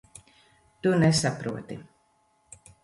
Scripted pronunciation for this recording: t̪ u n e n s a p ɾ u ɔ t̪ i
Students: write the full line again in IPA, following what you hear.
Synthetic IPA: t̪ u n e s a p ɾ u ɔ t̪ i